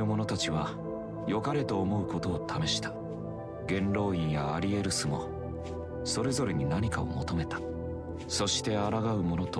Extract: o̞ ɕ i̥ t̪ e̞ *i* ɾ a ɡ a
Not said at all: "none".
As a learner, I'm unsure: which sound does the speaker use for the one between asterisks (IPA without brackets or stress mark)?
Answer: a